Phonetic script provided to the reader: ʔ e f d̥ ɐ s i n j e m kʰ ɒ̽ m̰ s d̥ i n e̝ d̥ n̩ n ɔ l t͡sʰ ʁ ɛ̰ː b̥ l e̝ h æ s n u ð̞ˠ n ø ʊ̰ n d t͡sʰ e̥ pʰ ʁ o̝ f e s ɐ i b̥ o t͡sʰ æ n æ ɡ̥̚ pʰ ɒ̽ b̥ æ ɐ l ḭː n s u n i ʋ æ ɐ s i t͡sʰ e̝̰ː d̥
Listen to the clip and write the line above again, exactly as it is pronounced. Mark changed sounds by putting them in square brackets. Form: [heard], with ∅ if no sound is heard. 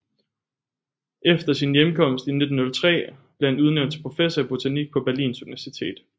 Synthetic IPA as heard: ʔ e f d̥ ɐ s i n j e m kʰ ɒ̽ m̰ s d̥ i n e̝ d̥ n̩ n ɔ l t͡sʰ ʁ ɛ̰ː b̥ l e̝ h æ [∅] n u ð̞ˠ n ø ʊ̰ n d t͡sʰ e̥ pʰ ʁ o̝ f e s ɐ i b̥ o t͡sʰ æ n [i] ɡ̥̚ pʰ ɒ̽ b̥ æ ɐ l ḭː n s u n i ʋ æ ɐ s i t͡sʰ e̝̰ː d̥